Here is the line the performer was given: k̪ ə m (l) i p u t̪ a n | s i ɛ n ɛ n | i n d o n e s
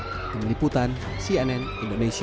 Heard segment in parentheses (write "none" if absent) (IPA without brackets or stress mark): l